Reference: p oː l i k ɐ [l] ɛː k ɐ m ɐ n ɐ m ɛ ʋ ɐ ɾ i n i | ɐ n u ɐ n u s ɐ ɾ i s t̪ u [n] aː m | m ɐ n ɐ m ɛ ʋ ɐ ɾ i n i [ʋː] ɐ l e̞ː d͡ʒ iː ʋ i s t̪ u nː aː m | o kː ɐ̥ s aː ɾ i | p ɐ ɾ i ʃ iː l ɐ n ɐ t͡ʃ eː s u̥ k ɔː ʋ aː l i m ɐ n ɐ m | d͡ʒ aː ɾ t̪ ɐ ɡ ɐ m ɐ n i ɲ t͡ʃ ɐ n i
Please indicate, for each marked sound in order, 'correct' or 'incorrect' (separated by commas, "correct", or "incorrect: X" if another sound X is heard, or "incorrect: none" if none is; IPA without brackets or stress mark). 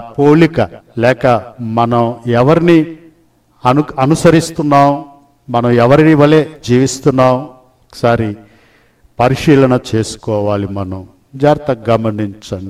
correct, incorrect: nː, incorrect: ʋ